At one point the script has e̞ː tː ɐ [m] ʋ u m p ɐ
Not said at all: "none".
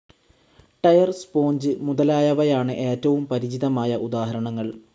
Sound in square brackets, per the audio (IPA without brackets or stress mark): none